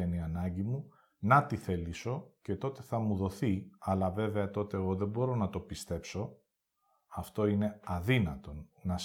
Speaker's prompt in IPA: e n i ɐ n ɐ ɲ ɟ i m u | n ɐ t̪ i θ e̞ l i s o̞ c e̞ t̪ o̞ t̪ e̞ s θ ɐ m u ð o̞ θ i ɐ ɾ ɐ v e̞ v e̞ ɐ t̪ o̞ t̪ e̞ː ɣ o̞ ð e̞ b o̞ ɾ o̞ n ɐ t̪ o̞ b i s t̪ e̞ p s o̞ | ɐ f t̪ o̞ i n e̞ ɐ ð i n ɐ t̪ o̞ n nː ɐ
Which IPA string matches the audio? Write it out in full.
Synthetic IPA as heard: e n i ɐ n ɐ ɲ ɟ i m u | n ɐ t̪ i θ e̞ l i s o̞ c e̞ t̪ o̞ t̪ e̞ θ ɐ m u ð o̞ θ i ɐ l ɐ v e̞ v e̞ ɐ t̪ o̞ t̪ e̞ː ɣ o̞ ð e̞ b o̞ ɾ o̞ n ɐ t̪ o̞ p i s t̪ e̞ p s o̞ | ɐ f t̪ o̞ i n e̞ ɐ ð i n ɐ t̪ o̞ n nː ɐ